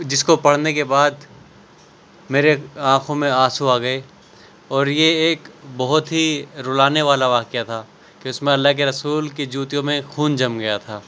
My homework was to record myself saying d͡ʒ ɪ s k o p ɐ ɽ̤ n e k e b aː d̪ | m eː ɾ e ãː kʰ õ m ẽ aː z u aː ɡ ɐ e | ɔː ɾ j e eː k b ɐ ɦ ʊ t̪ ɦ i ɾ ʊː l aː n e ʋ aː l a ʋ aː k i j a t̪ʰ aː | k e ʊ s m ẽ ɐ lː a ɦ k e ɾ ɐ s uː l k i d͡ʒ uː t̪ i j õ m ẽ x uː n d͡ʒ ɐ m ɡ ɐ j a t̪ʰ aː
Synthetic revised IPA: d͡ʒ ɪ s k o p ɐ ɽ̤ n e k e b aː d̪ | m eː ɾ e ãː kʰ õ m ẽ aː s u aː ɡ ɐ e | ɔː ɾ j e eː k b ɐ ɦ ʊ t̪ ɦ i ɾ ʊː l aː n e ʋ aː l a ʋ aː k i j a t̪ʰ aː | k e ʊ s m ẽ ɐ lː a ɦ k e ɾ ɐ s uː l k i d͡ʒ uː t̪ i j õ m ẽ x uː n d͡ʒ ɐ m ɡ ɐ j a t̪ʰ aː